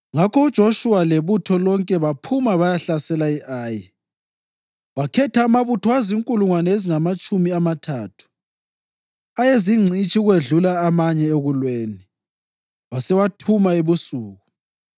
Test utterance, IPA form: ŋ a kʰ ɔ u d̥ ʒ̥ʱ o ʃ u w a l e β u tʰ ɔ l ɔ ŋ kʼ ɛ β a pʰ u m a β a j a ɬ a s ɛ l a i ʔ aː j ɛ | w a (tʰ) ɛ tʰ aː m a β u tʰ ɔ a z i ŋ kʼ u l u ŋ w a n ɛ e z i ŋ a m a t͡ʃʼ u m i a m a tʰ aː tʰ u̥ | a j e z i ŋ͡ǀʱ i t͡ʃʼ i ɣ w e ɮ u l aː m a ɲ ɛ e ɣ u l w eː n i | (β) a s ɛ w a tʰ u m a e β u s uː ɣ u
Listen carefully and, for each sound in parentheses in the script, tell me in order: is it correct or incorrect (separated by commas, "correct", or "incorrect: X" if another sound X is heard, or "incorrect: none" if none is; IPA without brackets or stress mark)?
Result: incorrect: kʰ, incorrect: w